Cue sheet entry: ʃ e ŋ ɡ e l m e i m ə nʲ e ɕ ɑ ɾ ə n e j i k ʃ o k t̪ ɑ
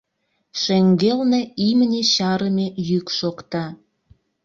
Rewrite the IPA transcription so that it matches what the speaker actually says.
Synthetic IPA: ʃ e ŋ ɡ e l n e i m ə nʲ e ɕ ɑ ɾ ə m e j y k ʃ o k t̪ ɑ